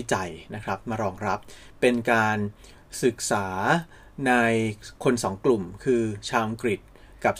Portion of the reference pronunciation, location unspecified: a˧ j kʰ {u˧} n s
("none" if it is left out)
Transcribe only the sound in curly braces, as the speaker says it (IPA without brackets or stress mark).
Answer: o˧